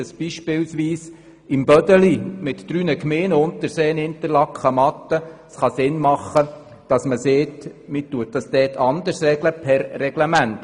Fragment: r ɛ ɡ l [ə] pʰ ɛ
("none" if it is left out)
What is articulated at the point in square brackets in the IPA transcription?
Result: ə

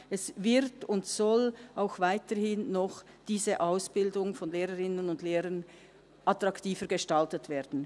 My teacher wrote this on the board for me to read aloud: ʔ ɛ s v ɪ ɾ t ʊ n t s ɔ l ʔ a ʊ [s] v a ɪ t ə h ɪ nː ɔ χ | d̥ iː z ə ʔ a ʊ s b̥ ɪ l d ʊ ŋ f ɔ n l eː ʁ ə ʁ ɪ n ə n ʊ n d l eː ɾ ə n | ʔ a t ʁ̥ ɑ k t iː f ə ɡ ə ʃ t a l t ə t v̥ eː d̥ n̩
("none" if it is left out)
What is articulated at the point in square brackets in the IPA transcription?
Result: x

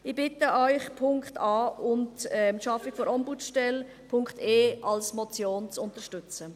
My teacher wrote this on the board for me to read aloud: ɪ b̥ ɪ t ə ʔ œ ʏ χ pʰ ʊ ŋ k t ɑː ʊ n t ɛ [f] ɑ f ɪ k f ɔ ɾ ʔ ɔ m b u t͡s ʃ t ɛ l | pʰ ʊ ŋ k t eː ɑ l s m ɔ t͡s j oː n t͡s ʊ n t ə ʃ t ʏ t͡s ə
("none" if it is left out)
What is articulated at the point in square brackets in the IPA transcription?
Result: ʃ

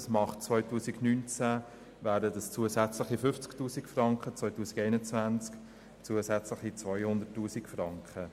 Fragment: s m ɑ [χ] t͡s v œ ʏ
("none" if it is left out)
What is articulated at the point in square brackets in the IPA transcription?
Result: χ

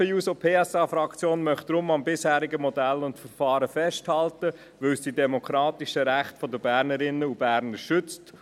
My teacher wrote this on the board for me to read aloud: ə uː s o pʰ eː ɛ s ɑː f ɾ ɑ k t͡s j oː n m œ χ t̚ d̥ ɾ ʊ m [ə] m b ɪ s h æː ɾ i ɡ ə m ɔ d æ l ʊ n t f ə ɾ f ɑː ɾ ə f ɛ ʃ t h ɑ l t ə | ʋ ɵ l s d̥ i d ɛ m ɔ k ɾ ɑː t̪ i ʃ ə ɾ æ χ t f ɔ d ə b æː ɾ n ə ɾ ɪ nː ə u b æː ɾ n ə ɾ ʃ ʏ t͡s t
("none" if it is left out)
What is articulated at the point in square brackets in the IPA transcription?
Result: ɑ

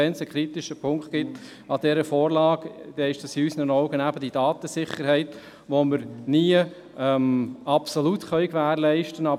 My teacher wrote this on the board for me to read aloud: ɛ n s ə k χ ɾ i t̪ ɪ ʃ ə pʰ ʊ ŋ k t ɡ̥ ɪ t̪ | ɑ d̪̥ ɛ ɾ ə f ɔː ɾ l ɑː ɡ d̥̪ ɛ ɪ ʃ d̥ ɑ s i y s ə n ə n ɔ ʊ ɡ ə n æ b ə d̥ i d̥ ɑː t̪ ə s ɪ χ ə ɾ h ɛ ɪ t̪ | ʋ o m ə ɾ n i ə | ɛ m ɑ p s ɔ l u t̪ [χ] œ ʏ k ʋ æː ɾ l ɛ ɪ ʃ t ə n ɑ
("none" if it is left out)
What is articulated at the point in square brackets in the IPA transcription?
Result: χ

